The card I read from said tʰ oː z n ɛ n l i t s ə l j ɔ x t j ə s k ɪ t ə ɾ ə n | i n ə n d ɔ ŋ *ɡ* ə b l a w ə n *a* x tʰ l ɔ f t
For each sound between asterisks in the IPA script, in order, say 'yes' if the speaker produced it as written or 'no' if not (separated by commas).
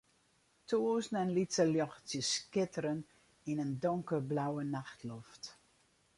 no, yes